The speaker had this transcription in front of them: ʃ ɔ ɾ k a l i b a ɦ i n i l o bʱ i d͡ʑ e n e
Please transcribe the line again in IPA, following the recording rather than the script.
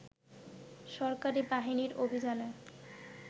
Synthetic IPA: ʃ ɔ ɾ k a ɾ i b a ɦ i n i ɾ o bʱ i d͡ʑ a n e